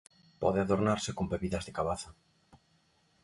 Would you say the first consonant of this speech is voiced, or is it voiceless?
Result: voiceless